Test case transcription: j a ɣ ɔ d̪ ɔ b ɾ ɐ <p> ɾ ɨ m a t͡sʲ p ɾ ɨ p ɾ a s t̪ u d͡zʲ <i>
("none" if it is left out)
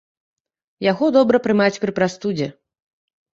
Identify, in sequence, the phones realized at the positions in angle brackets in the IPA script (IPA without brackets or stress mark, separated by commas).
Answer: p, ɛ